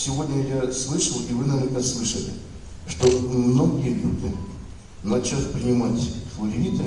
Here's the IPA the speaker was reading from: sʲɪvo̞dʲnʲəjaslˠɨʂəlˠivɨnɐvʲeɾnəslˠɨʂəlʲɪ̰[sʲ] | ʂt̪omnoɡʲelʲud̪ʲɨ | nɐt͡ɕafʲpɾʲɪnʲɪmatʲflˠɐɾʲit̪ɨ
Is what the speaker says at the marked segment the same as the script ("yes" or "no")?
no